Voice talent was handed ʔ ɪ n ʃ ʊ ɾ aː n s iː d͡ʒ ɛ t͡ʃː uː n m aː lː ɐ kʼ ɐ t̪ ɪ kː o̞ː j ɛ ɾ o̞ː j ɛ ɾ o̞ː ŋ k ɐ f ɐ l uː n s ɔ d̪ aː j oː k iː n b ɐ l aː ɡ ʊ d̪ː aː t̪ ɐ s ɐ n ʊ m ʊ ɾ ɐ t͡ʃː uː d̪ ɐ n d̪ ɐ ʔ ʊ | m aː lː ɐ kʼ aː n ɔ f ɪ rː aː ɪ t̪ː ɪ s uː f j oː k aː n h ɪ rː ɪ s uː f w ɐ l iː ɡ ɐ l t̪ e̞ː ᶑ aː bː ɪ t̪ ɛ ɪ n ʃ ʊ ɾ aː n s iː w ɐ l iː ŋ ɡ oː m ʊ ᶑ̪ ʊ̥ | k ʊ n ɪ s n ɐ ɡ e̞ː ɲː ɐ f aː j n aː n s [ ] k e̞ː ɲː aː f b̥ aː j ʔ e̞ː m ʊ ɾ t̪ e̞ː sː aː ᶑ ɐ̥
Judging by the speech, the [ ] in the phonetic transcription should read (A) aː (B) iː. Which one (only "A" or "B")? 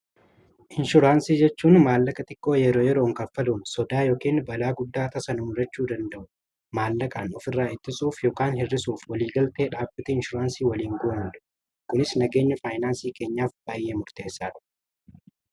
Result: B